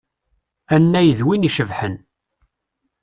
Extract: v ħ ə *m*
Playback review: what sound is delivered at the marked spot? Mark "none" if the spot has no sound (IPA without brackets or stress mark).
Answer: n